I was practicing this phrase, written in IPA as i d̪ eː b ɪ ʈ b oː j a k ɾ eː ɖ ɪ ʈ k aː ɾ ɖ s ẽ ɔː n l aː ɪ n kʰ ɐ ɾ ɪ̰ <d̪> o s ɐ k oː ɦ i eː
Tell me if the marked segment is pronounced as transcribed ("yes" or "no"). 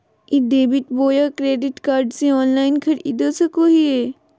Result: yes